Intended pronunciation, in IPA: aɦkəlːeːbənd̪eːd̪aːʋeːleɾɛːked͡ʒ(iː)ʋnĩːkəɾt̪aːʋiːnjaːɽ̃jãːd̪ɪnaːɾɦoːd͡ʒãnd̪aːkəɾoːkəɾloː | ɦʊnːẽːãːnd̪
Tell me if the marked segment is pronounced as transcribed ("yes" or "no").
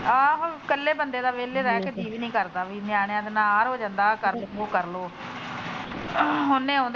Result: yes